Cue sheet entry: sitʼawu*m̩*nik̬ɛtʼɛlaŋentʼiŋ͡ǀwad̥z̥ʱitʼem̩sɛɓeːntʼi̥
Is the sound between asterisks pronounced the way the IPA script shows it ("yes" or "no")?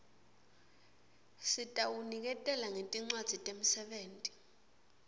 no